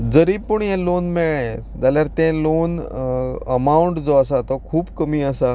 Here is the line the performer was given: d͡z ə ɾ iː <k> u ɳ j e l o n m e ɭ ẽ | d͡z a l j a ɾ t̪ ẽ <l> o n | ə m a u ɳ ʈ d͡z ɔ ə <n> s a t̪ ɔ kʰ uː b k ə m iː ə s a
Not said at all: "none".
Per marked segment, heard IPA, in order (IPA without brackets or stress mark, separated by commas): p, l, none